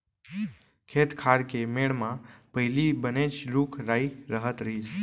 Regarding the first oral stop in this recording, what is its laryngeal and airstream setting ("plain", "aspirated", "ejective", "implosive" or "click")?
aspirated